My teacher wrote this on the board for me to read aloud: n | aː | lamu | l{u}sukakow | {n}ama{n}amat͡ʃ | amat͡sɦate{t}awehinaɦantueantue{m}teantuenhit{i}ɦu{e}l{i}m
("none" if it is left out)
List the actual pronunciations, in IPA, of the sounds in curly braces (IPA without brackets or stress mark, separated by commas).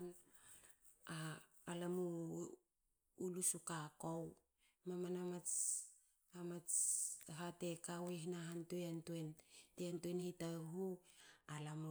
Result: u, m, n, k, n, a, a, a